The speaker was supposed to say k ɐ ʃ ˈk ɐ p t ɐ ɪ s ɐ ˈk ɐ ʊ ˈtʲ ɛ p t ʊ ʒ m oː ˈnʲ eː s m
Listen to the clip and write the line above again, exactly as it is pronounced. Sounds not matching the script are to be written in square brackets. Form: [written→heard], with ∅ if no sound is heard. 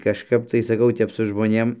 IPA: k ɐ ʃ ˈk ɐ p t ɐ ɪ s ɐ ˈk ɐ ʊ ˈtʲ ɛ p [t→s] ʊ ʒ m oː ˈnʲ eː [s→∅] m

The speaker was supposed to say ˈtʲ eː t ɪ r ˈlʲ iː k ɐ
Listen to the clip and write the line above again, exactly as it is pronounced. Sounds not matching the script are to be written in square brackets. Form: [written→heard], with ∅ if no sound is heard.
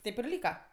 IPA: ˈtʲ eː [t→p] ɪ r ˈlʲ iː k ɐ

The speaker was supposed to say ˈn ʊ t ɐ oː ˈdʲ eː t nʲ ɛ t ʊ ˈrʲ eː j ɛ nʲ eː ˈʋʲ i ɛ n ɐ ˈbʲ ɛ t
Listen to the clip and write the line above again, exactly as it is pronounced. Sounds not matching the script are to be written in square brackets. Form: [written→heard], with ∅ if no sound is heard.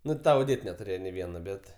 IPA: ˈn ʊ t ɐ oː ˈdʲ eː t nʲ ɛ t ʊ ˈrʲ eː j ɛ nʲ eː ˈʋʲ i ɛ n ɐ ˈbʲ ɛ t

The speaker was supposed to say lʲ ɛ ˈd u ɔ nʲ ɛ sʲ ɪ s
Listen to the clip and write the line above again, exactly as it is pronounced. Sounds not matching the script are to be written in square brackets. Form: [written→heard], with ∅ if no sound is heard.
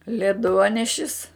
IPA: lʲ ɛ ˈd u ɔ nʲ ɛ [sʲ→ʃʲ] ɪ s

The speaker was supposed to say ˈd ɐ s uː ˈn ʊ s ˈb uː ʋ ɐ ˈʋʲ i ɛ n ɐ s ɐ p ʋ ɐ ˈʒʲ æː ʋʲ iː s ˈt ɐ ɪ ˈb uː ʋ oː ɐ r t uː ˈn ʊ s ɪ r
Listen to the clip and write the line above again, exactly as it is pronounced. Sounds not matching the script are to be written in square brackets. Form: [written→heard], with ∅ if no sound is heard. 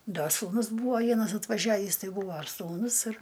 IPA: ˈd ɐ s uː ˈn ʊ s ˈb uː ʋ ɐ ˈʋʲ i ɛ n ɐ s ɐ [p→t] ʋ ɐ ˈʒʲ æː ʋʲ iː s ˈt ɐ ɪ ˈb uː ʋ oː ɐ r [t→s] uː ˈn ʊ s ɪ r

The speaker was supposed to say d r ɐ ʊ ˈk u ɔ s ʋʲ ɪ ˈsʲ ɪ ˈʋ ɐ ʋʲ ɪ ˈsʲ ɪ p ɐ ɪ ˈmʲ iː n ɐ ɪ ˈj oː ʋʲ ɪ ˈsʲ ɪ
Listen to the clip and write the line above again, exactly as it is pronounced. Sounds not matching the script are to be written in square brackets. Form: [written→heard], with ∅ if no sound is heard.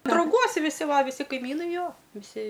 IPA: d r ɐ ʊ [ˈk→ˈɡ] u ɔ s ʋʲ ɪ ˈsʲ ɪ ˈʋ ɐ ʋʲ ɪ ˈsʲ ɪ [p→k] ɐ ɪ ˈmʲ iː n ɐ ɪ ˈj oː ʋʲ ɪ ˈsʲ ɪ

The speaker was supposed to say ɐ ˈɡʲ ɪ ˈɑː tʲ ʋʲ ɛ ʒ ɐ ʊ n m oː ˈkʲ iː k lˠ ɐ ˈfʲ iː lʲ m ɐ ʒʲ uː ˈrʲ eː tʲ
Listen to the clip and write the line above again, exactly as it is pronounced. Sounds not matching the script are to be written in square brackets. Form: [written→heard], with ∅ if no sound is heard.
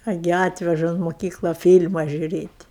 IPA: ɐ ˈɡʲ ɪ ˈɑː tʲ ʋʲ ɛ ʒ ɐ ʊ n m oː ˈkʲ iː k lˠ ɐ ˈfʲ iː lʲ m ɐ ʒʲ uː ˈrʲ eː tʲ

